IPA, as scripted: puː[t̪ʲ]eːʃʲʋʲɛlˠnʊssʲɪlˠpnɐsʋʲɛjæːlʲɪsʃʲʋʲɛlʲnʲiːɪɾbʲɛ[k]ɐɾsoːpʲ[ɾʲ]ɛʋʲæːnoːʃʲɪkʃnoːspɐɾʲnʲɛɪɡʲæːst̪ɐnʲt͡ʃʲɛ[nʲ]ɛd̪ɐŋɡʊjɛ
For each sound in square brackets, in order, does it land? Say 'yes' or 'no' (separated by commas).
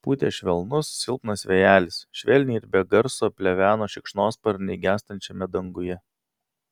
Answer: yes, no, no, no